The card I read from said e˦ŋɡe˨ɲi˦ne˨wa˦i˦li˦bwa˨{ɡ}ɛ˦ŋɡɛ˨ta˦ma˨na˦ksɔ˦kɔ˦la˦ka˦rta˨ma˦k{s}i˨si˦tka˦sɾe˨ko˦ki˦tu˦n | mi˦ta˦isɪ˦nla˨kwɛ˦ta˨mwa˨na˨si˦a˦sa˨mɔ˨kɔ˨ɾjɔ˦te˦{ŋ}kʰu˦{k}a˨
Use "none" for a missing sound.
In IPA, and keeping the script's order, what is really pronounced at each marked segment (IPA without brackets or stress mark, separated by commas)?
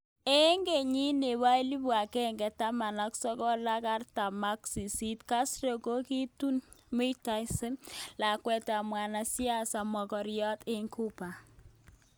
k, s, ŋ, p